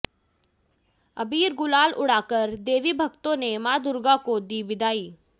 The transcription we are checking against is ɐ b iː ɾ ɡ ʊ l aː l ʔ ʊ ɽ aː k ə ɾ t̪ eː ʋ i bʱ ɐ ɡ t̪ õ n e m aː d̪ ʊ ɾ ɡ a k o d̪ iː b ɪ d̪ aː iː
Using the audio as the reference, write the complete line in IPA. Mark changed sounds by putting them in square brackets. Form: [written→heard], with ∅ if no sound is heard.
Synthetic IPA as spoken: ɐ b iː ɾ ɡ ʊ l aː l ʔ ʊ ɽ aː k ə ɾ [t̪→d̪] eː ʋ i bʱ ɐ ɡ t̪ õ n e m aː d̪ ʊ ɾ ɡ a k o d̪ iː b ɪ d̪ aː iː